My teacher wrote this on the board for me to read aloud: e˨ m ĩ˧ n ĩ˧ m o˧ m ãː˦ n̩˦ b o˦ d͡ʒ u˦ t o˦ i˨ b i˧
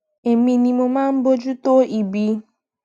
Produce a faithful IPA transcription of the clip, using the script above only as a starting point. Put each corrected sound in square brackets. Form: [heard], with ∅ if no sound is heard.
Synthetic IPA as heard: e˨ m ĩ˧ n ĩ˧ m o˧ m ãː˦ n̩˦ b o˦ d͡ʒ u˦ t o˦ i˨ b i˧